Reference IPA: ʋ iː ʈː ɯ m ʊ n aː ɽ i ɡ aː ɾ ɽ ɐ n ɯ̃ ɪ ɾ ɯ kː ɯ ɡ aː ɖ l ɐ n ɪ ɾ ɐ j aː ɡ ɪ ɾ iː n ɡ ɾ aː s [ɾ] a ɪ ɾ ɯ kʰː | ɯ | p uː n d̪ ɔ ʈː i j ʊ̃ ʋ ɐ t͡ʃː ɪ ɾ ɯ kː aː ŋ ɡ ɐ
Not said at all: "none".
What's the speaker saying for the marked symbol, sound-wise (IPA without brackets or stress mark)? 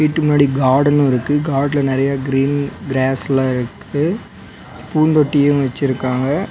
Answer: l